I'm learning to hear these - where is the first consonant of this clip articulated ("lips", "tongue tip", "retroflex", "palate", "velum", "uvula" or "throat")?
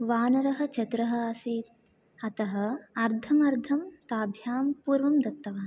lips